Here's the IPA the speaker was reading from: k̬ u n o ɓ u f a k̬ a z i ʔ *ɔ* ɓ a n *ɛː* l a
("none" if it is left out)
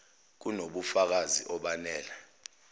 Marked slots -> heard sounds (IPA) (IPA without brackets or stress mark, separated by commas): ɔ, ɛː